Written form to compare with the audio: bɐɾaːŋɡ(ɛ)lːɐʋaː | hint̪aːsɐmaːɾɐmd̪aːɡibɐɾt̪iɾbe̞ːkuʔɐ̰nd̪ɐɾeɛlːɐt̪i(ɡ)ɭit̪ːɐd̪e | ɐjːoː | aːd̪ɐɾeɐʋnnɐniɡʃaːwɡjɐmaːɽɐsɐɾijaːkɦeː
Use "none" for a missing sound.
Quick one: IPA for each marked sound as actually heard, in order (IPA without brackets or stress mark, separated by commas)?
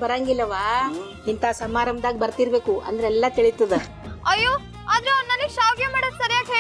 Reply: i, none